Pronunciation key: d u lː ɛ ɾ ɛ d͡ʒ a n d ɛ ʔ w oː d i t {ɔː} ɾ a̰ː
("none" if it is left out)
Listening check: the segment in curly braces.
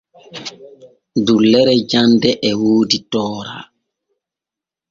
ɔː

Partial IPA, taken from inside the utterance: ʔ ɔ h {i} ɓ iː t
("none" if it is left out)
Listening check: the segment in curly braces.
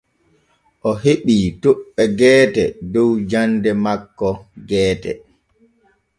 e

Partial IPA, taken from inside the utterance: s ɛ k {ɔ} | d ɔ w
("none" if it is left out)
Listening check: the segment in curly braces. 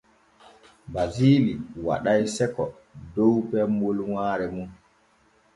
ɔ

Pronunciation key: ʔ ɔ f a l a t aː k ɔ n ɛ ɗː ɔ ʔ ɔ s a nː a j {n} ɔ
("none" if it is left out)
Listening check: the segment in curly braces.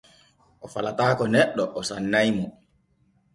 m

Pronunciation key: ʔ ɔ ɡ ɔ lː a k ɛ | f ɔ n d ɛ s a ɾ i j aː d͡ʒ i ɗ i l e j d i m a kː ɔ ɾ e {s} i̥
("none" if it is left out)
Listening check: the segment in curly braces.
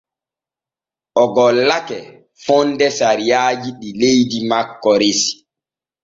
s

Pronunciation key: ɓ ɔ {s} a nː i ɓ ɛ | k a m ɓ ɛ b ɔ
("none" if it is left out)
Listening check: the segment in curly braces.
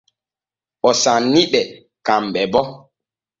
s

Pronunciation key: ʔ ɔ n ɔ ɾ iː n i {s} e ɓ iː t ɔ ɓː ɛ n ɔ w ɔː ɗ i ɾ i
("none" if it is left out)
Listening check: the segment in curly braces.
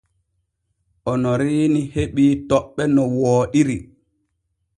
h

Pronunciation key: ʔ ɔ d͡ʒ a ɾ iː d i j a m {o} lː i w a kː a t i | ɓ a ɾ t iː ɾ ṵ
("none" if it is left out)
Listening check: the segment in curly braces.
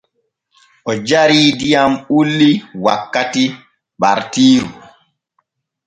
u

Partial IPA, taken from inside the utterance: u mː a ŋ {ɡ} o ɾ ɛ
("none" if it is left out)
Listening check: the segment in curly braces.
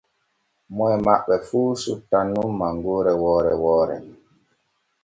ɡ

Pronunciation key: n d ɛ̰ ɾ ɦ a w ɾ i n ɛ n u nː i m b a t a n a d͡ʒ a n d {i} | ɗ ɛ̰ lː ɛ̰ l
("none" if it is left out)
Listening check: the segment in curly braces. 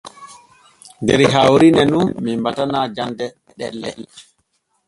ɛ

